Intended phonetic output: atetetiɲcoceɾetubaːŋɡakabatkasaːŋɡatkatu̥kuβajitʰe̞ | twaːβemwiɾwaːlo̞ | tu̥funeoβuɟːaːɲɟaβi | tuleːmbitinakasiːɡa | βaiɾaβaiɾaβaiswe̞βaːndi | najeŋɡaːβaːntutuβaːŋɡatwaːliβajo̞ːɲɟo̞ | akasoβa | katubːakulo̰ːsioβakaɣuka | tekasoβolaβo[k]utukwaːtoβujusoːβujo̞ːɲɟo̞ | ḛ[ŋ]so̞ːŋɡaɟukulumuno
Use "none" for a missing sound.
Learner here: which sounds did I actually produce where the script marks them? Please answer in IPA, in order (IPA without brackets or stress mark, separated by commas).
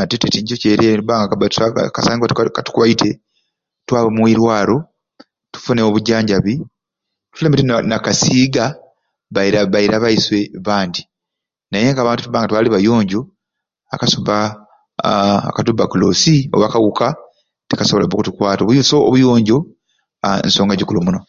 k, n